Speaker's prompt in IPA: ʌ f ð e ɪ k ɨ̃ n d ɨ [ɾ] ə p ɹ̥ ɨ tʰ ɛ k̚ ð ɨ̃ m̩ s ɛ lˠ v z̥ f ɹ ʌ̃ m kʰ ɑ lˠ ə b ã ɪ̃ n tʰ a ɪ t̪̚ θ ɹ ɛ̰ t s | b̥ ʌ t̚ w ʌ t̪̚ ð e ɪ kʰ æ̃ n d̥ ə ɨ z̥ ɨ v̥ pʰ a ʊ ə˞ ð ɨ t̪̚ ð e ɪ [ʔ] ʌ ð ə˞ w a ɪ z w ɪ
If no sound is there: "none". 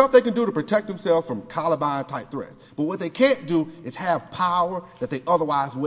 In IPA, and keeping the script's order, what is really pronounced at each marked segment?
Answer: ɾ, ʔ

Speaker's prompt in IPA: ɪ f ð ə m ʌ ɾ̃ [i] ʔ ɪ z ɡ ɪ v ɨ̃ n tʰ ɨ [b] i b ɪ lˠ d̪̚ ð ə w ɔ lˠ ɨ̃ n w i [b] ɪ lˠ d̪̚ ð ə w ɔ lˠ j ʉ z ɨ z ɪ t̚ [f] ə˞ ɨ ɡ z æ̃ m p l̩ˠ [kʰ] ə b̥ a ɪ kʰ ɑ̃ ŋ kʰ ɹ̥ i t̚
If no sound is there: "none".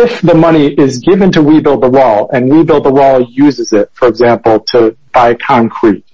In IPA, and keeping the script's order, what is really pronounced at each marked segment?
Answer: i, w, b, f, tʰ

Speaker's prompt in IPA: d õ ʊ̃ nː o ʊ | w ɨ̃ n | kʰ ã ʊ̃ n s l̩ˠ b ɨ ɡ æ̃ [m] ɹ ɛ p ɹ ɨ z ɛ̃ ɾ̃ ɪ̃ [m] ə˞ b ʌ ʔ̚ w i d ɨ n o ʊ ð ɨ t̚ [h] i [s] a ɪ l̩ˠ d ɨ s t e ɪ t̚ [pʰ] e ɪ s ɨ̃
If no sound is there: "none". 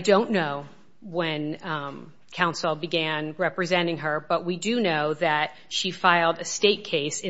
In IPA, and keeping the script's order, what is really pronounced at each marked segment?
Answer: n, ŋ, ʃ, f, kʰ

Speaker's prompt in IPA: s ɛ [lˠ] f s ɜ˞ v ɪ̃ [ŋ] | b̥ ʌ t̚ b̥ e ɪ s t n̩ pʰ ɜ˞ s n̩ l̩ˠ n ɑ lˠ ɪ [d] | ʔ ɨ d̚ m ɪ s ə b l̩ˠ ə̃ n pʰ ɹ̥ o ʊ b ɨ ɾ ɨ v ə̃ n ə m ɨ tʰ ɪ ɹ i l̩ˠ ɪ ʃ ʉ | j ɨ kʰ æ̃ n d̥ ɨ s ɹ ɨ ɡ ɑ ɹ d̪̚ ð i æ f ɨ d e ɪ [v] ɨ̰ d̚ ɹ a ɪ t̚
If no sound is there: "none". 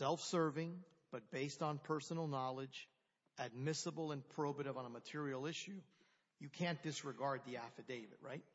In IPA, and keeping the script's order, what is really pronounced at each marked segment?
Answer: lˠ, ŋ, d͡ʒ, v

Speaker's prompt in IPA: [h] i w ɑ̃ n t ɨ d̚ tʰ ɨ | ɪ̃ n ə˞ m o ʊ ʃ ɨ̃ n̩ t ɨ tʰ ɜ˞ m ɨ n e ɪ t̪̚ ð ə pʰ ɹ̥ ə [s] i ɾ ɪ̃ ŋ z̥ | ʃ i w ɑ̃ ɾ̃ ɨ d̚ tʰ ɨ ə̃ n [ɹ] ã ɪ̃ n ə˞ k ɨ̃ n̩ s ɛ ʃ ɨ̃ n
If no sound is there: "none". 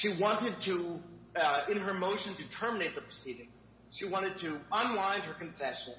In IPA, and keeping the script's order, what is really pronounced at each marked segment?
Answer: ʃ, s, l

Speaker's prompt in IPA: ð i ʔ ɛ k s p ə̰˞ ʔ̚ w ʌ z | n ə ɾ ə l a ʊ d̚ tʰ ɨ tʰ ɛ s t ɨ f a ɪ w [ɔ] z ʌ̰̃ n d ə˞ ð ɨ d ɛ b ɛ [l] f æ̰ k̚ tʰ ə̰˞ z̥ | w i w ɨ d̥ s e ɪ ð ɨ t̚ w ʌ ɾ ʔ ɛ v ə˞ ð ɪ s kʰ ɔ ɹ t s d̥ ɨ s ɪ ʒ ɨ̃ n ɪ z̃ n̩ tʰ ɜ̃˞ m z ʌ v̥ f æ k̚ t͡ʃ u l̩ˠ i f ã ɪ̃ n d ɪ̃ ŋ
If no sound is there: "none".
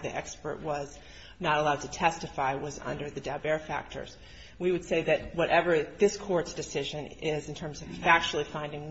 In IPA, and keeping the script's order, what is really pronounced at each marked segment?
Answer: ʌ, ɹ

